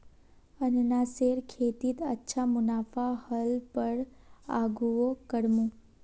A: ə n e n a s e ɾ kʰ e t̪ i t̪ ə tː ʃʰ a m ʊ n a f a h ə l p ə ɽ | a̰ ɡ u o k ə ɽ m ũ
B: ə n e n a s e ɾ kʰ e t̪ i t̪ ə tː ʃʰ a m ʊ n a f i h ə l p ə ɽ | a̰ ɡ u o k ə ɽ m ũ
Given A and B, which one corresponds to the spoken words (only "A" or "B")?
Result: A